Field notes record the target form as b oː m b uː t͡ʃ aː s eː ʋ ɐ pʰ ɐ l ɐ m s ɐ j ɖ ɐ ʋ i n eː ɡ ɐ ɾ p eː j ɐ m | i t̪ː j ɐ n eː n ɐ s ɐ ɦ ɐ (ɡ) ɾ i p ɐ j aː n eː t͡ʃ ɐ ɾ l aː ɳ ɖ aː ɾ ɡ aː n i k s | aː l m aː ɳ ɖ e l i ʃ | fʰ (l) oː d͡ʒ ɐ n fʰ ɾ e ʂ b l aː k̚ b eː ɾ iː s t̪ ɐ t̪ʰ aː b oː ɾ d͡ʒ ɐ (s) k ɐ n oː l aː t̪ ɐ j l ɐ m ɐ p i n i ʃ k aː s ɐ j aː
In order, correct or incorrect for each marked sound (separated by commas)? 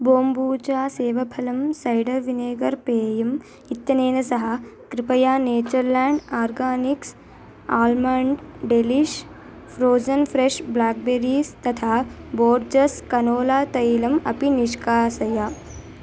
incorrect, incorrect, correct